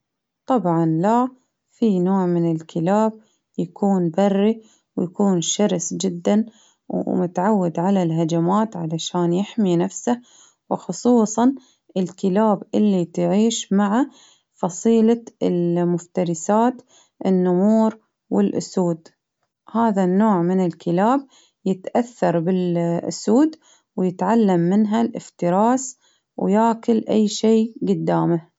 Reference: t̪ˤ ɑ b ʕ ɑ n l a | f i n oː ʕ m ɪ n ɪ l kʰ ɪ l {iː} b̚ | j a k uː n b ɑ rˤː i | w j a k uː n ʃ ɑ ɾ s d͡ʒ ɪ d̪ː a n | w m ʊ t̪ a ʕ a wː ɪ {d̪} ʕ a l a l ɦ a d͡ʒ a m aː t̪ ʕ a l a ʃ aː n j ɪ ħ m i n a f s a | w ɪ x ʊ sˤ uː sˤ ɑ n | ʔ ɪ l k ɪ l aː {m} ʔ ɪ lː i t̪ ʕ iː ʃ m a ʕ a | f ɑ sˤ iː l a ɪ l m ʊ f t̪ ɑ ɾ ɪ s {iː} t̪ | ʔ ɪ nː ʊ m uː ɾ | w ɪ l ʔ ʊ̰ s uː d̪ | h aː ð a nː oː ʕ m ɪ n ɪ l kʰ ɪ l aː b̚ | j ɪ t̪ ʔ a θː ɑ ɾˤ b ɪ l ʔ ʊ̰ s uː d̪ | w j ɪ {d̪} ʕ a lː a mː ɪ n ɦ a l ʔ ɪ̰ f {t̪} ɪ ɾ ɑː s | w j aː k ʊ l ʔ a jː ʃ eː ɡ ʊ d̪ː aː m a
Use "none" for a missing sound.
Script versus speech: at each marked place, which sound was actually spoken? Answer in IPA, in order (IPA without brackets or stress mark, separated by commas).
aː, d̪, b, aː, t̪, t̪